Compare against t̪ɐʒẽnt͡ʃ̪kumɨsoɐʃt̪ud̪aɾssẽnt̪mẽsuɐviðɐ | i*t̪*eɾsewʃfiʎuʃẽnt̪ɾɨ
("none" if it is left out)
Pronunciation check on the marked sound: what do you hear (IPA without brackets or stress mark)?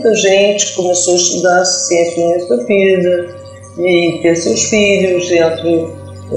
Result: t̪